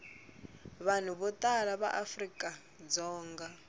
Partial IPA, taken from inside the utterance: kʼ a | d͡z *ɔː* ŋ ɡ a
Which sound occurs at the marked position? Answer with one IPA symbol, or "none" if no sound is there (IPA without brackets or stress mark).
ɔː